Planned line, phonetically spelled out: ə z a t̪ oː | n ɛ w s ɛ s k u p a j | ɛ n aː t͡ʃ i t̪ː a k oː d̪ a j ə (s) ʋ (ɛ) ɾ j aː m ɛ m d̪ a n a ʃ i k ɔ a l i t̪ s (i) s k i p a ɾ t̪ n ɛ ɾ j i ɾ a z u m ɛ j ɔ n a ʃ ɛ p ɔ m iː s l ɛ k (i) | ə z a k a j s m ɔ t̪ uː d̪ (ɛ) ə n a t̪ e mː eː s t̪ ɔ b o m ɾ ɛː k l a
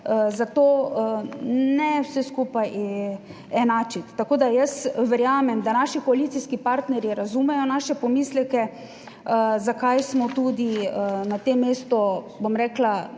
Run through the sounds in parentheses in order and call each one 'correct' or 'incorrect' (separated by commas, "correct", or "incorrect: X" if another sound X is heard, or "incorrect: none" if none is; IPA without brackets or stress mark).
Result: correct, correct, correct, incorrect: ɛ, incorrect: i